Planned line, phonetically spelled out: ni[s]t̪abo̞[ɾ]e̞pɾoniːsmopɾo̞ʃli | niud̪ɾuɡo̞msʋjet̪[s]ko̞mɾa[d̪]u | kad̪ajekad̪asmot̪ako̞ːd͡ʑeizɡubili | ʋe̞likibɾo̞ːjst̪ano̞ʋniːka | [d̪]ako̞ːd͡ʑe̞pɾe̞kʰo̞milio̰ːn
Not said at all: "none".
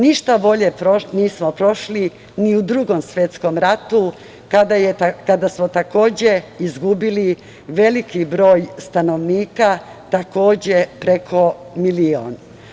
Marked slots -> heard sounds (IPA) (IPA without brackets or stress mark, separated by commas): ʃ, ʎ, s, t̪, t̪